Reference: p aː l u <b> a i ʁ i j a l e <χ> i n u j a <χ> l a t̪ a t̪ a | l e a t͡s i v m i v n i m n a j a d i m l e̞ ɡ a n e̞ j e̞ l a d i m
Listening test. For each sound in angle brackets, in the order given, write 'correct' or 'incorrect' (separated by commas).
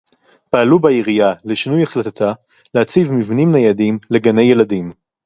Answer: correct, incorrect, correct